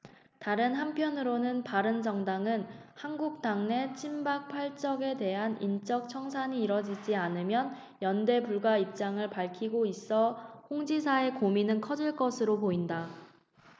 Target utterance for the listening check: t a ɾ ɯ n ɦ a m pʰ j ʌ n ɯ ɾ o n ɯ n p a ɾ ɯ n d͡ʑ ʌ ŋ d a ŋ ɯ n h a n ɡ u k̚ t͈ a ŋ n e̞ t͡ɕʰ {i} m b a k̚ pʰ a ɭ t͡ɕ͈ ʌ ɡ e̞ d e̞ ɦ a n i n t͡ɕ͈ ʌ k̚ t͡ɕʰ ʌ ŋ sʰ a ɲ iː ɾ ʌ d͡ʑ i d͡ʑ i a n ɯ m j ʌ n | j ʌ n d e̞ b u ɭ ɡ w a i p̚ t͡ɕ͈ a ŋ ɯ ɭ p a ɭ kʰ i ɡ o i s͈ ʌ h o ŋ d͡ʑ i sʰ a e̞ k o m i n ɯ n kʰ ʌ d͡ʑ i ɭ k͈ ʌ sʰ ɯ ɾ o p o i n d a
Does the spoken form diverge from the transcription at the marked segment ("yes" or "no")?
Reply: no